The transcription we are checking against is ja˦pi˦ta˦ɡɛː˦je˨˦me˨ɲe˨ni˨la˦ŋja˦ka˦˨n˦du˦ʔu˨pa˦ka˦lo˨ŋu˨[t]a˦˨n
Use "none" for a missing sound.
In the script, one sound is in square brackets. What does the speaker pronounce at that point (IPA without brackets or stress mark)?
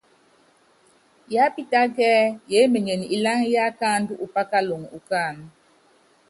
k